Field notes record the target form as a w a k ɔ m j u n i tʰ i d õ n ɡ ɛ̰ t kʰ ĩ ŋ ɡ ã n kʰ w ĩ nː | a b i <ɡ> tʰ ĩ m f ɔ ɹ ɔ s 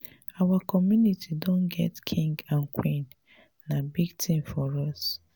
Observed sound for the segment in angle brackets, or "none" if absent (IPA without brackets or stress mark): ɡ